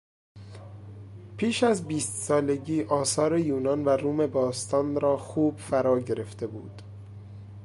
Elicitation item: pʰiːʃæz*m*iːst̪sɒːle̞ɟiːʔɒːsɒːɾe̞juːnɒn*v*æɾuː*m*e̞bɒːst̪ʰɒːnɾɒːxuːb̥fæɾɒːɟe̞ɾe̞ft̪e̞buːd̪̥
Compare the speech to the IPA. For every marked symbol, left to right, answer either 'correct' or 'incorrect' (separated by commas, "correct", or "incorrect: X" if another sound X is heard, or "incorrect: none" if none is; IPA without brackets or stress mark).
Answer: incorrect: b, correct, correct